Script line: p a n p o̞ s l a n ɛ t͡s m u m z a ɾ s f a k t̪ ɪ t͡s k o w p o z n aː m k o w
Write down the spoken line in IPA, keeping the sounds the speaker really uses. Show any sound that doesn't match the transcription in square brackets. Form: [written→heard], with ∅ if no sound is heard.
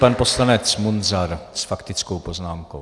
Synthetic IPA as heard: p a n p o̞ s l a n ɛ t͡s m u [m→n] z a ɾ s f a k t̪ ɪ t͡s k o w p o z n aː m k o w